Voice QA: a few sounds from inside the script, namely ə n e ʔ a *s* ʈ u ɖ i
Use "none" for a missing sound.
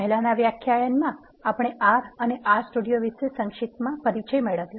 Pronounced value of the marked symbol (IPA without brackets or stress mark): s